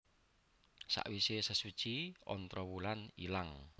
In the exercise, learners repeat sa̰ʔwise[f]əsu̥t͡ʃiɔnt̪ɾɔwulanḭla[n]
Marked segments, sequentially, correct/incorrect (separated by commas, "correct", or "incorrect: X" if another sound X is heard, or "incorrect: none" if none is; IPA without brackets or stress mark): incorrect: s, incorrect: ŋ